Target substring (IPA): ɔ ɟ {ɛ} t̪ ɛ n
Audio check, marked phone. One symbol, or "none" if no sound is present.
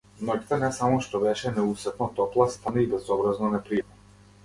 i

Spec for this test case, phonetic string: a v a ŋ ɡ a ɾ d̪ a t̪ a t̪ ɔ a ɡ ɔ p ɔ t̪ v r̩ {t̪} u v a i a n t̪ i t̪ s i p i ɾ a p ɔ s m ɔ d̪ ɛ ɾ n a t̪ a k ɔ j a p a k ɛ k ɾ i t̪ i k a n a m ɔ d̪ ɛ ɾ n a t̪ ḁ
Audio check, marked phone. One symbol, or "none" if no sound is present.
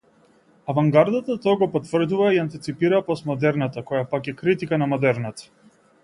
d̪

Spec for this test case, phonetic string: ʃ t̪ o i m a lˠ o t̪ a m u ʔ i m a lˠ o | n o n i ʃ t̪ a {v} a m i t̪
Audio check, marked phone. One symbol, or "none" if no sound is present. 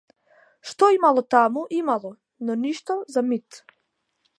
z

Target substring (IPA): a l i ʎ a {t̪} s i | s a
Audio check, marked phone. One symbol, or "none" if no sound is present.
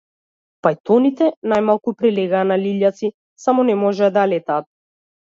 t̪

